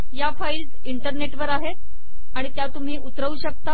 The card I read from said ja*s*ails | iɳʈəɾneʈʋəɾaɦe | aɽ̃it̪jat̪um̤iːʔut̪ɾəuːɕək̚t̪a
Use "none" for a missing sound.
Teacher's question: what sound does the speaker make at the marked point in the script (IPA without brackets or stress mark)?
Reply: f